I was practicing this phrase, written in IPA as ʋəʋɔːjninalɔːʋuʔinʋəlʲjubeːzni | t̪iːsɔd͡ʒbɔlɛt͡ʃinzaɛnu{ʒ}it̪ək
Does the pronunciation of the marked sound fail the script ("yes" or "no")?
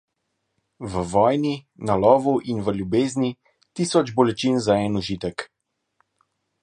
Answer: no